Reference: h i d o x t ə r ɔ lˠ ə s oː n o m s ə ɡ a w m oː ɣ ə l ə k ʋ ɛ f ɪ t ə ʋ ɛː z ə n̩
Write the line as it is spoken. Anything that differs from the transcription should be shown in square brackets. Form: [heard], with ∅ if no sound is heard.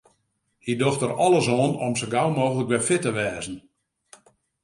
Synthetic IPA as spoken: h i d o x t ə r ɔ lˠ ə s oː n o m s ə ɡ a w m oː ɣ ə l ə k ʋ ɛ f ɪ t ə ʋ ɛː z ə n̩